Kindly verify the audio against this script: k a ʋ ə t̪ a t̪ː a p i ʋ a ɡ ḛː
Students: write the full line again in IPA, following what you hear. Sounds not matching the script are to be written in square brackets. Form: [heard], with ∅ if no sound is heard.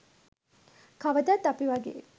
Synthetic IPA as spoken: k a ʋ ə [d̪] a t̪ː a p i ʋ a ɡ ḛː

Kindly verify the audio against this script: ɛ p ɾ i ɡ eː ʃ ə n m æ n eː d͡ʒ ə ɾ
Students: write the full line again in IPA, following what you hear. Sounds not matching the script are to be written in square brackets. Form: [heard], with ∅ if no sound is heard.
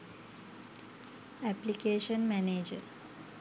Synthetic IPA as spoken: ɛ p [l] i [k] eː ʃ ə n m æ n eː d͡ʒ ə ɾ

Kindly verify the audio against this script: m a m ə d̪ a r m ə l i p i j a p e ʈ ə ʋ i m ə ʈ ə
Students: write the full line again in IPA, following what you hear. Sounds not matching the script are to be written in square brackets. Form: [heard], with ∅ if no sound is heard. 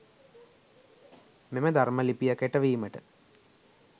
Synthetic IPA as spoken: m [e] m ə d̪ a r m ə l i p i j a [k] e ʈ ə ʋ [iː] m ə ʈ ə

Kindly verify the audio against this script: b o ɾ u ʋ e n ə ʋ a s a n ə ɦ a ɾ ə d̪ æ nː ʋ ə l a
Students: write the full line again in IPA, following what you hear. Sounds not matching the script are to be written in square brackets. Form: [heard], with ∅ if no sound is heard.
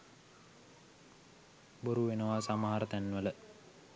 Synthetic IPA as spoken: b o ɾ u ʋ e n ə ʋ a s a [m] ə ɦ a ɾ ə [t̪] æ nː ʋ ə l [ə]

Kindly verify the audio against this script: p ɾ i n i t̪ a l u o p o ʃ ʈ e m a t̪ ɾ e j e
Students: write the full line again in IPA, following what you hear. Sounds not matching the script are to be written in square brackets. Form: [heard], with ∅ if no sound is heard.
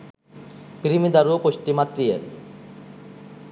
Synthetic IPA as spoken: p ɾ i [m] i [d̪] a [ɾ] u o p o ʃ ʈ [i] m a t̪ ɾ [i] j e

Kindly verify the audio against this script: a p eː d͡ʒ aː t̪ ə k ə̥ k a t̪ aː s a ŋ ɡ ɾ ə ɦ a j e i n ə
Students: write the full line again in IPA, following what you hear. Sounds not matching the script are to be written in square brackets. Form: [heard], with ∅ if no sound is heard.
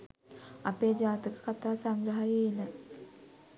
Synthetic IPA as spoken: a p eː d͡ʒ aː t̪ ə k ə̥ k a t̪ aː s a ŋ ɡ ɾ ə ɦ a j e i n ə

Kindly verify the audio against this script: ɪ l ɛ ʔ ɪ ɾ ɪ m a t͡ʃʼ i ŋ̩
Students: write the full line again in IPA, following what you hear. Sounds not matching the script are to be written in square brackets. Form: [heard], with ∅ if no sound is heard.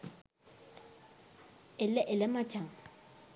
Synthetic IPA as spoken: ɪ l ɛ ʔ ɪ [l] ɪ m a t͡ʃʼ [a] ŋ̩

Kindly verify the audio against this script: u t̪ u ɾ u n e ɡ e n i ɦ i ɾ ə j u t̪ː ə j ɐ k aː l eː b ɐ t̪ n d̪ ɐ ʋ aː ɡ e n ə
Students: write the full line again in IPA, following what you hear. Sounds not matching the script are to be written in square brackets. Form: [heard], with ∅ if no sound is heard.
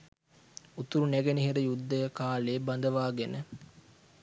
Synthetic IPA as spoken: u t̪ u ɾ u n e ɡ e n i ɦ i ɾ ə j u [d̪ː] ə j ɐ k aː l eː b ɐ [∅] n d̪ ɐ ʋ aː ɡ e n ə

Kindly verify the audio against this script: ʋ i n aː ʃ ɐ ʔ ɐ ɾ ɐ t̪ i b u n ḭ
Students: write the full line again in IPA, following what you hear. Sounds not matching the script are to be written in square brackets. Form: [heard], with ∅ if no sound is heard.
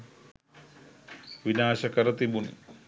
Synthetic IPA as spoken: ʋ i n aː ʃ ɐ [k] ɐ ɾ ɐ t̪ i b u n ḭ

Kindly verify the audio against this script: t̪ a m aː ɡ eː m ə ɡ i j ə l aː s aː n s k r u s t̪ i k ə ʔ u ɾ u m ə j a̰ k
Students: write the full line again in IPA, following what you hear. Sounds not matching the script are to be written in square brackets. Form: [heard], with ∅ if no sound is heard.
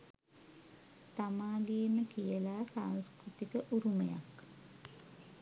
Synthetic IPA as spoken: t̪ a m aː ɡ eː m ə [k] i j ə l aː s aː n s k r u [∅] t̪ i k ə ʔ u ɾ u m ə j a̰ k

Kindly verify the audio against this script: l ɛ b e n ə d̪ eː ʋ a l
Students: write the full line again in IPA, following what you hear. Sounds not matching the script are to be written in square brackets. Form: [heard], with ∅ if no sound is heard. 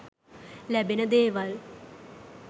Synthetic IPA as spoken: l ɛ b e n ə d̪ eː ʋ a l

